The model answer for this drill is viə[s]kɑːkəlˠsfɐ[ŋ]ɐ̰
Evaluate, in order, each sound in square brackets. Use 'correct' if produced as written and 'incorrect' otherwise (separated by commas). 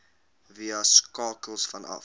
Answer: correct, incorrect